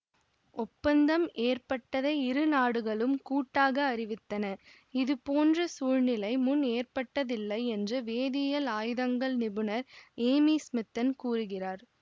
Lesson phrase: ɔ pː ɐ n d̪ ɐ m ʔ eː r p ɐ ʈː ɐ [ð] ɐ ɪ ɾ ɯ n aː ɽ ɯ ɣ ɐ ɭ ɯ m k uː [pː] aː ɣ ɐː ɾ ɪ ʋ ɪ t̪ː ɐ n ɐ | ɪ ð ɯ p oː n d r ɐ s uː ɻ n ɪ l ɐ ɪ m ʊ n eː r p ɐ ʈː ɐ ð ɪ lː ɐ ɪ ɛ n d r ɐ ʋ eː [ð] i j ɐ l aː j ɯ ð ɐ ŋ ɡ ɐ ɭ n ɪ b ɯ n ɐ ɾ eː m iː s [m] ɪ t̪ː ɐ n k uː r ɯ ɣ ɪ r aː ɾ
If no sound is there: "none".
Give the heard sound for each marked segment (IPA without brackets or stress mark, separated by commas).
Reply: ð, ʈː, ð, m